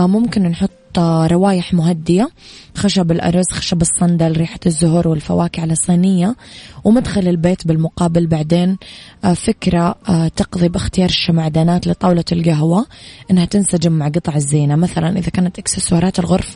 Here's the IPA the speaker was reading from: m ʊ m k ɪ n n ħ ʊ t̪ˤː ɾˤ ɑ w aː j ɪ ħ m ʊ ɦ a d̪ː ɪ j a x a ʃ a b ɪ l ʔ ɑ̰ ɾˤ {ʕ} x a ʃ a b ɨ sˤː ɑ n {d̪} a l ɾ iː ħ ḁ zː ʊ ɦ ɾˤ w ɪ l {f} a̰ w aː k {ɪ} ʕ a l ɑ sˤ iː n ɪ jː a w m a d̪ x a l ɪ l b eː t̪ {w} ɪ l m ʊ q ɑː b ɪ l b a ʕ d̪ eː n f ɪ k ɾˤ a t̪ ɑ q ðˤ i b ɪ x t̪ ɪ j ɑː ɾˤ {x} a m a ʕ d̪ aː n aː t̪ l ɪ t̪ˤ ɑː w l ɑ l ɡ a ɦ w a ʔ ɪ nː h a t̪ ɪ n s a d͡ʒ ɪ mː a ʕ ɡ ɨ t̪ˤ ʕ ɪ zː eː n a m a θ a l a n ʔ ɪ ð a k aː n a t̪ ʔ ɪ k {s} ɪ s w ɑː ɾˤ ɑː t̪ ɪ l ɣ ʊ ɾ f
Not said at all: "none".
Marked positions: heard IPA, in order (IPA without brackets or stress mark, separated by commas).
z, d̪, f, ɪ, b, ʃ, s